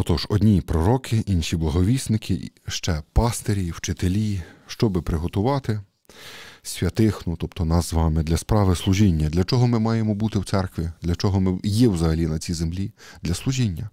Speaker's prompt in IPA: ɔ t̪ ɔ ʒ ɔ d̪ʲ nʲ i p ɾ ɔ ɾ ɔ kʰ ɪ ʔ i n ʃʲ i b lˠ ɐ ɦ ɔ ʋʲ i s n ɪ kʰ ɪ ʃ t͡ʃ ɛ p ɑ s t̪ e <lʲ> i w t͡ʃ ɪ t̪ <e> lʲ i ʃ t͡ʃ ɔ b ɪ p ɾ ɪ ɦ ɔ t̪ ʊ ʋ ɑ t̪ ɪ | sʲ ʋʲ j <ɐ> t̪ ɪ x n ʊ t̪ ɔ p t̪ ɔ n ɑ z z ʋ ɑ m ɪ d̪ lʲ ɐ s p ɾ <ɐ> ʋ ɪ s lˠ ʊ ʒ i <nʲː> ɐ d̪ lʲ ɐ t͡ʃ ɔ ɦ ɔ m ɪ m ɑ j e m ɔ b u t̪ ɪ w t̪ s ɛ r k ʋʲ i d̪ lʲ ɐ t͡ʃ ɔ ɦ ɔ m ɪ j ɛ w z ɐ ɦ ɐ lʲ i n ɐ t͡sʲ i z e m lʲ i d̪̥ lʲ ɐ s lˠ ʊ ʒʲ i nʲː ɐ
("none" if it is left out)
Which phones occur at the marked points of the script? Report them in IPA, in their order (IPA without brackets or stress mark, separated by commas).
ɾʲ, e, ɐ, ɑ, nʲː